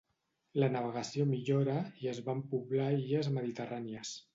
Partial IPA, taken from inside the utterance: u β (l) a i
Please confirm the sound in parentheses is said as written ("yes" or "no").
yes